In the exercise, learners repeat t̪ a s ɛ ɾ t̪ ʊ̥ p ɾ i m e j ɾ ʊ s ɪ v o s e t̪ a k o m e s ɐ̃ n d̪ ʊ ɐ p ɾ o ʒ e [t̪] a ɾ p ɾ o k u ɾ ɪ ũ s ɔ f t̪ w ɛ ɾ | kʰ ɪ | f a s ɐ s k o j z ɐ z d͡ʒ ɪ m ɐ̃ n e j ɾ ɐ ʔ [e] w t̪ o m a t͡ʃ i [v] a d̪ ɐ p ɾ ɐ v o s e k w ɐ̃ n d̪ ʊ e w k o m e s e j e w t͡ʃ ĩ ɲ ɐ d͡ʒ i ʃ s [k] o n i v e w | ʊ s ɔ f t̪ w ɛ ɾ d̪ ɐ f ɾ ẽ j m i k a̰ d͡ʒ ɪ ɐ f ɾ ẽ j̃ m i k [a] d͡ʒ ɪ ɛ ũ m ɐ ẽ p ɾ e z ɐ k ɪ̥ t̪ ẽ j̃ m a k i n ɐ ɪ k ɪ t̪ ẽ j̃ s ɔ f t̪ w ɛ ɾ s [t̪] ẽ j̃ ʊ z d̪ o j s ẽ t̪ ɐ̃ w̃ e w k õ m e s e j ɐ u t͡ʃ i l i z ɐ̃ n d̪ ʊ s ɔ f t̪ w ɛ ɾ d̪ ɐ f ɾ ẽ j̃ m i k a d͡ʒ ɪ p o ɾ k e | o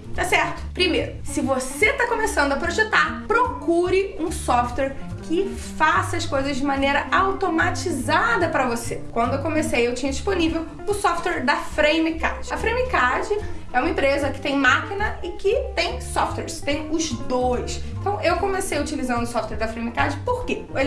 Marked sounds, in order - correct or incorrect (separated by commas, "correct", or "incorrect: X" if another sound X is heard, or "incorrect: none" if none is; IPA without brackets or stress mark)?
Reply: correct, incorrect: a, incorrect: z, incorrect: p, correct, correct